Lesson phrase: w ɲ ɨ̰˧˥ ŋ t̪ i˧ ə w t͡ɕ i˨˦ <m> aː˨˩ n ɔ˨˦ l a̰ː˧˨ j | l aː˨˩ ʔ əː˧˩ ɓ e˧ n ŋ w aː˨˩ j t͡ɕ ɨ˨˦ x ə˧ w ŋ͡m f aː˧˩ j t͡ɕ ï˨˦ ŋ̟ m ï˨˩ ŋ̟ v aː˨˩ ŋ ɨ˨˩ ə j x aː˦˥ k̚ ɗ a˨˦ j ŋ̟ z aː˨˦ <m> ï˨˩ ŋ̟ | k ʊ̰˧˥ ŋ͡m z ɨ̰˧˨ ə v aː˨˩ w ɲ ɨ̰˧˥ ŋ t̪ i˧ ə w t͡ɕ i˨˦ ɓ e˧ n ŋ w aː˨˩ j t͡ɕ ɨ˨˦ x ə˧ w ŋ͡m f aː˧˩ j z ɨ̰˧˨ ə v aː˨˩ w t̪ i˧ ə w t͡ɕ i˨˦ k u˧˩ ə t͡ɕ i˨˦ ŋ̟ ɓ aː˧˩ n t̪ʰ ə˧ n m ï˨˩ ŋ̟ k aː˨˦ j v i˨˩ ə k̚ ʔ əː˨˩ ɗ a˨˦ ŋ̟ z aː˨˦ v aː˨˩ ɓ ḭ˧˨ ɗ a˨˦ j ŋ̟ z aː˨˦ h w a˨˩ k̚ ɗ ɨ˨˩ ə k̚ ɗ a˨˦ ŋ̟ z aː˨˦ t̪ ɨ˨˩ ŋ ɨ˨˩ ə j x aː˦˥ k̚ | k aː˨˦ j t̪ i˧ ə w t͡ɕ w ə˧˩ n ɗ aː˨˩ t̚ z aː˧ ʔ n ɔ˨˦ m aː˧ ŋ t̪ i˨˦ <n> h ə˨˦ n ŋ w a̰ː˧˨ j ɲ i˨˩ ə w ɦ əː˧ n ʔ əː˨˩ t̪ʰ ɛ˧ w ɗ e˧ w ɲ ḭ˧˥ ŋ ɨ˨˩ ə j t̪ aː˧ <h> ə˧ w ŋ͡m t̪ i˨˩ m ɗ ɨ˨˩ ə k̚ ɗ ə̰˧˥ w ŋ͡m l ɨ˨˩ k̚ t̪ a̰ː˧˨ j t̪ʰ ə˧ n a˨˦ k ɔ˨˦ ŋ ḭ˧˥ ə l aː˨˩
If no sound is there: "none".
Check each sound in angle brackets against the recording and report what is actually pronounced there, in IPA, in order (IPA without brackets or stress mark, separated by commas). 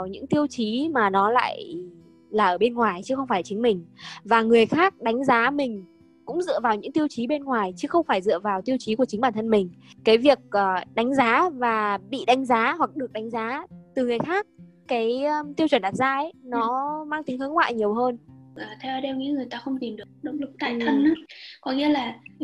m, m, ŋ, x